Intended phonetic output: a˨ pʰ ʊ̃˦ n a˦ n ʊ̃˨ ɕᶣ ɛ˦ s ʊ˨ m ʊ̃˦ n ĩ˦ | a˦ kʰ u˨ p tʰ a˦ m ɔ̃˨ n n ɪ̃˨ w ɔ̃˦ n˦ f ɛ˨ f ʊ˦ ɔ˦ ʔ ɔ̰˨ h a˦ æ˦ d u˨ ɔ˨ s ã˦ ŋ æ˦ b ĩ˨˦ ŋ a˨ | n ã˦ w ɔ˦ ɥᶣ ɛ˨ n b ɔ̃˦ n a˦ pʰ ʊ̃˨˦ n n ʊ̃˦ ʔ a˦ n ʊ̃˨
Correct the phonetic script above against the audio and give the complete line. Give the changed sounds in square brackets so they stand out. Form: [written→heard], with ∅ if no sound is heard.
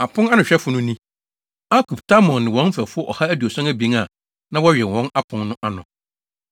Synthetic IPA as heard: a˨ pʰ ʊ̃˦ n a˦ n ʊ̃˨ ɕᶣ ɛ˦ [s→f] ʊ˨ [m→n] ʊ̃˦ n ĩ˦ | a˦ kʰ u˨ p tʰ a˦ m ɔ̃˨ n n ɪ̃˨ w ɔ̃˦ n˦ f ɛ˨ f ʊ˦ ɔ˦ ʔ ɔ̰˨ h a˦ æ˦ d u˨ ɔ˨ s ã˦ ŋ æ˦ b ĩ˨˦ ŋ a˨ | n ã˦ w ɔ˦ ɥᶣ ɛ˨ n [b→w] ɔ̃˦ n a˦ pʰ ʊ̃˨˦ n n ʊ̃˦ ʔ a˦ n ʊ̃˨